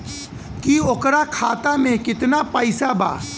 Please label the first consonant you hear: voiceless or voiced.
voiceless